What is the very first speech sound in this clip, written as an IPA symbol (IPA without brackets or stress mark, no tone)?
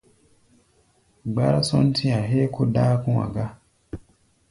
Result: ɡ͡b